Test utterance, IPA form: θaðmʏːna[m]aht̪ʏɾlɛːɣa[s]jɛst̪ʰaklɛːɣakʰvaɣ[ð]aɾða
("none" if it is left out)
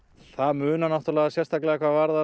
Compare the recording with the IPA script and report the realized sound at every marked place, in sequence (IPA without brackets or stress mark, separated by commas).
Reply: n, s, v